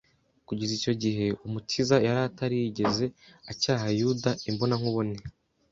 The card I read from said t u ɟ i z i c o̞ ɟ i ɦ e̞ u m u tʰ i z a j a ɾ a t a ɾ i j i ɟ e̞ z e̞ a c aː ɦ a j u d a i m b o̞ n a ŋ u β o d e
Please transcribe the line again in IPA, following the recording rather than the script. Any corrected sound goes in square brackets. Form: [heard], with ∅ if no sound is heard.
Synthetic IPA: [k] u ɟ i z i c o̞ ɟ i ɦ e̞ u m u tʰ i z a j a ɾ a t a ɾ i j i ɟ e̞ z e̞ a c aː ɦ a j u d a i m b o̞ n a ŋ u β o [n] e